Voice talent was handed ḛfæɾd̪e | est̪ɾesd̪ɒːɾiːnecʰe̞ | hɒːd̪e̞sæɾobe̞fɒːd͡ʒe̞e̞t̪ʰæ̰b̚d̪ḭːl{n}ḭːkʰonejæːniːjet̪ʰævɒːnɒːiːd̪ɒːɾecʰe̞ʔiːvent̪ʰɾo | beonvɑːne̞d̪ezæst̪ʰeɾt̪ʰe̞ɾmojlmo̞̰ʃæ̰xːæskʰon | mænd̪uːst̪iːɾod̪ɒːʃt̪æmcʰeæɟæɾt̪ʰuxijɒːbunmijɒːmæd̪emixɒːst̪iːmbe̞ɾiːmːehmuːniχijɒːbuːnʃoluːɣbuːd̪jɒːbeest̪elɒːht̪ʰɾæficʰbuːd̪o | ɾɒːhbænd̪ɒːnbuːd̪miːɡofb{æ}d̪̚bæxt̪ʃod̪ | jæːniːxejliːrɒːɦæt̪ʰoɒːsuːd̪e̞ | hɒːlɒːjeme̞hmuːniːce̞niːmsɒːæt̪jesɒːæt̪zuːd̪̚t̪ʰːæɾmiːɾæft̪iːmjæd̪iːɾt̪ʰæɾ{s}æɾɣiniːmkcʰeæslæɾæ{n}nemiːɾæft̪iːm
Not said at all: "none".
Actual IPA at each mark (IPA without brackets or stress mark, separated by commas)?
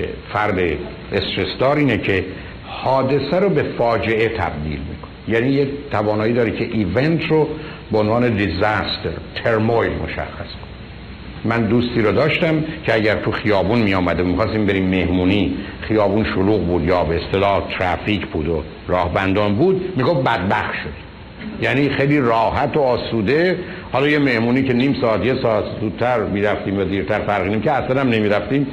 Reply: m, æ, f, m